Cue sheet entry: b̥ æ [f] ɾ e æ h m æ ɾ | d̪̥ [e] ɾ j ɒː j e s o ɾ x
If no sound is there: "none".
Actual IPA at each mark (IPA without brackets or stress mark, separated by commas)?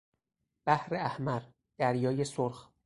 h, æ